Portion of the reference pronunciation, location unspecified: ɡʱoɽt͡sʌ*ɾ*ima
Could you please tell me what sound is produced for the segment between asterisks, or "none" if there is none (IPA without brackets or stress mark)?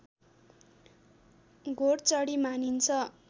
ɽ